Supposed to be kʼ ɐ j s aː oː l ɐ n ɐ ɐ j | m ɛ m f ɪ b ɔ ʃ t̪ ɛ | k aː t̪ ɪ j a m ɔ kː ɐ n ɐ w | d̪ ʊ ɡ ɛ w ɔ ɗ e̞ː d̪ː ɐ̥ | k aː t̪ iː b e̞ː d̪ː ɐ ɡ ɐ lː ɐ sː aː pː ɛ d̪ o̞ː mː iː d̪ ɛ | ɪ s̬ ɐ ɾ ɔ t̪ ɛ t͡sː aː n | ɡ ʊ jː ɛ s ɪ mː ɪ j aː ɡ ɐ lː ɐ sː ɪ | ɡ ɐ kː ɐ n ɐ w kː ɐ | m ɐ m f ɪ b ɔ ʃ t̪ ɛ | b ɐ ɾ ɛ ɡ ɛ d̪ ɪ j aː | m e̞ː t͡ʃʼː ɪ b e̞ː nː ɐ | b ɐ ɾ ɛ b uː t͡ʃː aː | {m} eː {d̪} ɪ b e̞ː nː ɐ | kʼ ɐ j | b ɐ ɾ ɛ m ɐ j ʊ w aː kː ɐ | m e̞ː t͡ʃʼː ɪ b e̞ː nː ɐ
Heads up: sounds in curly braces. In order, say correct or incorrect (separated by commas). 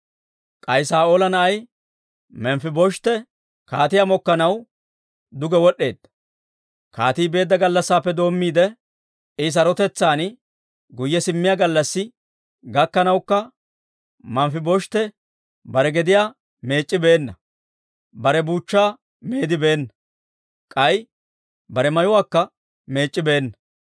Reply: correct, correct